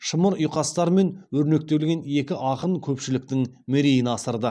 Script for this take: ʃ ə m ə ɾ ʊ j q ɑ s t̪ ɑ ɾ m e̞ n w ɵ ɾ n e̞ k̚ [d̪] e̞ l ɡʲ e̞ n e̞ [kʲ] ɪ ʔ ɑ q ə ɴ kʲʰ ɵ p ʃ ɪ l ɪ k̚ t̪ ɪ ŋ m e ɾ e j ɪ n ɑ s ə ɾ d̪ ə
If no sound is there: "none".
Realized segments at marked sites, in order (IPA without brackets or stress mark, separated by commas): t̪, kʲ